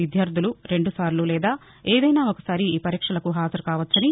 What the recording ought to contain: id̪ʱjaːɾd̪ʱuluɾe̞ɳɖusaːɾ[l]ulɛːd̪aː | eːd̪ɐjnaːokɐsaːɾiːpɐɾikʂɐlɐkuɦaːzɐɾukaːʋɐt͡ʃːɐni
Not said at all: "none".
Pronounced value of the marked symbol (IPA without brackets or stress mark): l